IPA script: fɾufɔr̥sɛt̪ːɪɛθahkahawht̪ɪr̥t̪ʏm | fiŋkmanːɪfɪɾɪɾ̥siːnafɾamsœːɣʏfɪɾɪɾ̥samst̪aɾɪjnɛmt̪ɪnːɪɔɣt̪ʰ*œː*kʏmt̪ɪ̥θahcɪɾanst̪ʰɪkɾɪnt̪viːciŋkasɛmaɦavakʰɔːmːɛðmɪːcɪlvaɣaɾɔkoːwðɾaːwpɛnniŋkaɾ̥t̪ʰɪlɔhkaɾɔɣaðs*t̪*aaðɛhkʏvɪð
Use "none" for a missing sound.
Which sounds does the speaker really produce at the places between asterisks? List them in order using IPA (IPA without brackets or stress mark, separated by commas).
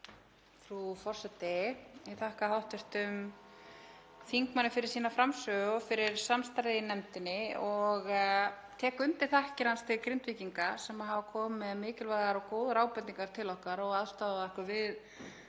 ɛː, t̪